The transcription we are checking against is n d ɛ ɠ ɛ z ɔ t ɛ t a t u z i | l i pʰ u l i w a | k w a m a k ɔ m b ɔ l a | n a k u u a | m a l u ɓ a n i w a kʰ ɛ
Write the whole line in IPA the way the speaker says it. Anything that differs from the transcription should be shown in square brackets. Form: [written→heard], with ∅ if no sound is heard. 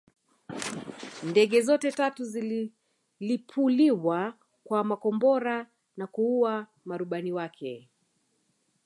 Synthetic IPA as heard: n d ɛ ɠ ɛ z ɔ t ɛ t a t u z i | l i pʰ u l i w a | k w a m a k ɔ m b ɔ [l→ɾ] a | n a k u u a | m a [l→ɾ] u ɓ a n i w a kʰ ɛ